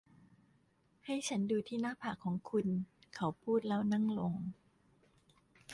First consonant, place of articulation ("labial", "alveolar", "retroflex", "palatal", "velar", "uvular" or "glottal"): glottal